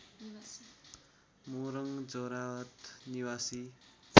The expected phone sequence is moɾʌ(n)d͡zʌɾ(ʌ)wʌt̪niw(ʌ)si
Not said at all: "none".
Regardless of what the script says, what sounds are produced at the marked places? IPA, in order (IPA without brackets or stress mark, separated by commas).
ŋ, a, a